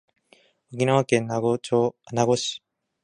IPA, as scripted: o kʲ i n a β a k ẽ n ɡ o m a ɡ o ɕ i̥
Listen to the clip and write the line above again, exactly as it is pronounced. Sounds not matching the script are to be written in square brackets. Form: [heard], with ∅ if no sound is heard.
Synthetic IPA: o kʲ i n a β a k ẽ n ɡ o [n] a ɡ o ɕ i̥